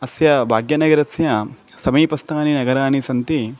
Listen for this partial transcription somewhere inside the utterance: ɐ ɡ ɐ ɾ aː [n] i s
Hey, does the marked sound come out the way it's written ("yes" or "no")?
yes